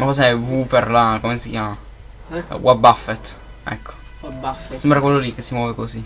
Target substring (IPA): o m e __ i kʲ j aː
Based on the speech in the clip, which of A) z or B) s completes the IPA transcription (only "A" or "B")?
B